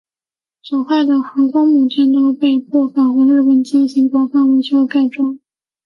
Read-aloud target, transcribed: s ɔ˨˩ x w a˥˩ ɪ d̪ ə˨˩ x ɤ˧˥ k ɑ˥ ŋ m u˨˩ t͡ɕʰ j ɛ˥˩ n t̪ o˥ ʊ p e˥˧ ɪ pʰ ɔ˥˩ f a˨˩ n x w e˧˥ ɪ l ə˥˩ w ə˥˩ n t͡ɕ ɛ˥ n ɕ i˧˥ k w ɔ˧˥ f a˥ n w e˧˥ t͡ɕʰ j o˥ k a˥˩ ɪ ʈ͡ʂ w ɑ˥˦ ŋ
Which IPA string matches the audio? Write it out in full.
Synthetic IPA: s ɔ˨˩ x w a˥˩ ɪ d̪ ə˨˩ x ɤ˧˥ k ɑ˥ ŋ m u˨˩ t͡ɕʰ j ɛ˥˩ n t̪ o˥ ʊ p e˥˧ ɪ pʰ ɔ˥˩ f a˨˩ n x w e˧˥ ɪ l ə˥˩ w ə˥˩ n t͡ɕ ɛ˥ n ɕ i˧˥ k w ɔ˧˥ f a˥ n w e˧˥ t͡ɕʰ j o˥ k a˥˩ ɪ ʈ͡ʂ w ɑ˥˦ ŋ